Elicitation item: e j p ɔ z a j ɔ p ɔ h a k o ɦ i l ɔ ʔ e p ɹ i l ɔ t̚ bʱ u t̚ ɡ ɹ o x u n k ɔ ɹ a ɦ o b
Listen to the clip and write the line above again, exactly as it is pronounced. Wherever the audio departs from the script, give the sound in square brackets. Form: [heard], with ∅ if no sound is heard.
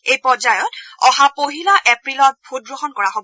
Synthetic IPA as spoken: e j p ɔ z a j ɔ [t] ɔ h a [p] o ɦ i l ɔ ʔ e p ɹ i l ɔ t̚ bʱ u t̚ ɡ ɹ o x [ɔ] n k ɔ ɹ a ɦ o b